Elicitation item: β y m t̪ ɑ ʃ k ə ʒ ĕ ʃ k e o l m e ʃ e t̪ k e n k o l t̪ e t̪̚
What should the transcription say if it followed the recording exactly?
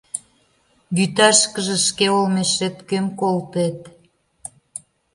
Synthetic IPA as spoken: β y t̪ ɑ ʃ k ə ʒ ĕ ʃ k e o l m e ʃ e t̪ k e m k o l t̪ e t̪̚